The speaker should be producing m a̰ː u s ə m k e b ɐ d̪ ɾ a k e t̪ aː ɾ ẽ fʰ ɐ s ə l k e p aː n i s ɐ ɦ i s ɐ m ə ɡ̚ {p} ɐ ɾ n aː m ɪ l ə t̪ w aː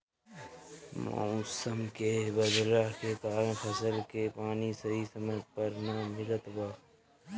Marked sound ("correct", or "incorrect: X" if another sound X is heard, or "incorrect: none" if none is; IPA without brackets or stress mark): correct